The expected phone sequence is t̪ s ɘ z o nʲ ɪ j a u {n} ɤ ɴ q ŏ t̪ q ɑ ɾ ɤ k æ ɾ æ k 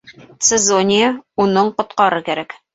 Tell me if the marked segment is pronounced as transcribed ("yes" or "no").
yes